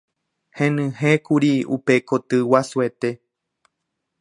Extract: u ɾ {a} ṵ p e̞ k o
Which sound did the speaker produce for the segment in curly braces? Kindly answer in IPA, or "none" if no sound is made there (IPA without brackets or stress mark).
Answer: i